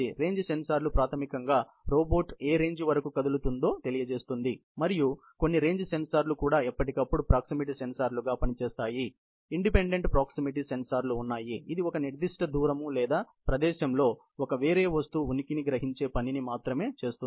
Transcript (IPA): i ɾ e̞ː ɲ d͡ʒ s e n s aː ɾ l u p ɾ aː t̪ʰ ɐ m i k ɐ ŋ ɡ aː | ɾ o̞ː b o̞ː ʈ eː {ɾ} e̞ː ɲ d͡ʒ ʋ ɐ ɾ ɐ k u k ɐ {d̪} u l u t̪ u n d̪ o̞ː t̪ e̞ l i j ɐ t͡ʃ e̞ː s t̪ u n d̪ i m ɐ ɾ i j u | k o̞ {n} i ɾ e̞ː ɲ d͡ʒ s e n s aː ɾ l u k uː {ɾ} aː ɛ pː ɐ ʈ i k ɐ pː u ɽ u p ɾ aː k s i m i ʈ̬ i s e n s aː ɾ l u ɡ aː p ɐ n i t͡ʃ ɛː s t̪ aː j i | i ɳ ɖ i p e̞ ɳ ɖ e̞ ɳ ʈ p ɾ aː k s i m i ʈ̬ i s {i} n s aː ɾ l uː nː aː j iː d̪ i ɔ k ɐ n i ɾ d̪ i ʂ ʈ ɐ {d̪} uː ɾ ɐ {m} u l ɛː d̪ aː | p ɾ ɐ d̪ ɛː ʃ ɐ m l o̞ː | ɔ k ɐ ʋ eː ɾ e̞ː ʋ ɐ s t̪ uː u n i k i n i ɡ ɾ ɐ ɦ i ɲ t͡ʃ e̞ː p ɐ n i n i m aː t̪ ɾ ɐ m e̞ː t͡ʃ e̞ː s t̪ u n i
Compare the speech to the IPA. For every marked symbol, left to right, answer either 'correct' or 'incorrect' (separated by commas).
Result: correct, correct, incorrect, incorrect, incorrect, correct, correct